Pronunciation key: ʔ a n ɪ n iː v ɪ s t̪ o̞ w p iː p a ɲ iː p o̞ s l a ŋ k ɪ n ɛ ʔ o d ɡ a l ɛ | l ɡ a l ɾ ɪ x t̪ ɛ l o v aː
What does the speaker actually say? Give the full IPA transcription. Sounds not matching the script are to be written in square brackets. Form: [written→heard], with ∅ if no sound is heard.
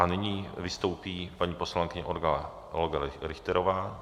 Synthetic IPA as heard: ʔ a n ɪ [n→ɲ] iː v ɪ s t̪ o̞ w p iː p a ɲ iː p o̞ s l a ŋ k ɪ [n→ɲ] ɛ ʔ o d ɡ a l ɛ | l ɡ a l ɾ ɪ x t̪ ɛ [l→ɾ] o v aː

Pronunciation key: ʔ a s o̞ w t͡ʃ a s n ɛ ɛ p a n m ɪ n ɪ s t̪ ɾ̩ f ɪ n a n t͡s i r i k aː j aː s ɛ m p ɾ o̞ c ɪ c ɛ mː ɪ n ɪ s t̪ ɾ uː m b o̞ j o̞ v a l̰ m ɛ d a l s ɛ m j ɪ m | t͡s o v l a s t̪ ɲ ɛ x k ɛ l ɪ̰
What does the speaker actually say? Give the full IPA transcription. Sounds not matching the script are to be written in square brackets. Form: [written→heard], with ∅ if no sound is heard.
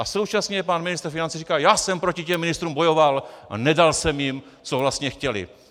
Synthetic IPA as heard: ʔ a s o̞ w t͡ʃ a s [n→ɲ] ɛ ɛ p a n m ɪ n ɪ s t̪ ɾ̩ f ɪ n a n t͡s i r i k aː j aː s ɛ m p ɾ o̞ c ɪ c ɛ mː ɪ n ɪ s t̪ ɾ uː m b o̞ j o̞ v a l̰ [m→n] ɛ d a l s ɛ m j ɪ m | t͡s o v l a s t̪ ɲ ɛ x [k→c] ɛ l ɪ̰

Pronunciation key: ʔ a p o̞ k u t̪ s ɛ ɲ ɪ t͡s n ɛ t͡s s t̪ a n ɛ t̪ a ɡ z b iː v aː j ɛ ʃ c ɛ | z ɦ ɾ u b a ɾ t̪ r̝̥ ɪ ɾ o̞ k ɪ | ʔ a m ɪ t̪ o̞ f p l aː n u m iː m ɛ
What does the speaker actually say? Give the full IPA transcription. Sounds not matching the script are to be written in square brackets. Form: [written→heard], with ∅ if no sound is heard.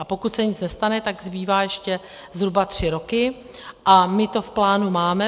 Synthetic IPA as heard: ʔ a p o̞ k u t̪ s ɛ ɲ ɪ t͡s n ɛ [t͡s→∅] s t̪ a n ɛ t̪ a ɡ z b iː v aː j ɛ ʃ c ɛ | z ɦ ɾ u b a [ɾ→∅] t̪ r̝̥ ɪ ɾ o̞ k ɪ | ʔ a m ɪ t̪ o̞ f p l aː n u m [iː→aː] m ɛ

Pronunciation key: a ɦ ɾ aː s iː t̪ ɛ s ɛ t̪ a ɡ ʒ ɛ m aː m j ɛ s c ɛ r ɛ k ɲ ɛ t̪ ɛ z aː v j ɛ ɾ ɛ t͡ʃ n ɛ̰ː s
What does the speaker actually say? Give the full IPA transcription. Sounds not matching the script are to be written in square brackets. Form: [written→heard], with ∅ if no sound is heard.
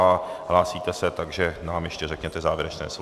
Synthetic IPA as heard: a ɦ [ɾ→l] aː s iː t̪ ɛ s ɛ t̪ a ɡ ʒ ɛ [m→n] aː m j ɛ [s→ʃ] c ɛ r ɛ k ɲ ɛ t̪ ɛ z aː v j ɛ ɾ ɛ t͡ʃ n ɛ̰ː s

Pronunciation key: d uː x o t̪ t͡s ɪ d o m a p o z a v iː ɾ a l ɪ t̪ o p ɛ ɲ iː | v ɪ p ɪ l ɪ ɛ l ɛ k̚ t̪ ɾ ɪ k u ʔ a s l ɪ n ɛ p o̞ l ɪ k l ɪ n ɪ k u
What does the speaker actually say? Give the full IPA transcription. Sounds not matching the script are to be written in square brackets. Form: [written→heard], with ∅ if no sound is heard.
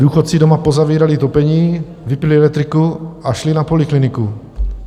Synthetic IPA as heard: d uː x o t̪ t͡s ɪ d o m a p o z a v iː ɾ a l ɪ t̪ o p ɛ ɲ iː | v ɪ p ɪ l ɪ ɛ l ɛ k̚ t̪ ɾ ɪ k u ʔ a [s→ʃ] l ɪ n [ɛ→a] p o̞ l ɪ k l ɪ n ɪ k u

